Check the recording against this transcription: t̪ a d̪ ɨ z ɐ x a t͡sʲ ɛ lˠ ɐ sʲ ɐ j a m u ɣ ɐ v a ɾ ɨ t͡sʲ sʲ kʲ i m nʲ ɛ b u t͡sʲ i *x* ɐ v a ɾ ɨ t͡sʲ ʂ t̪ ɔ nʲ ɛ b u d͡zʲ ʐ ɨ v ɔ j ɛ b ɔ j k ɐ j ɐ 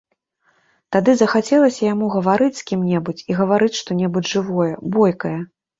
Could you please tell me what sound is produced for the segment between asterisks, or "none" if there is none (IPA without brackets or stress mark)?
ɣ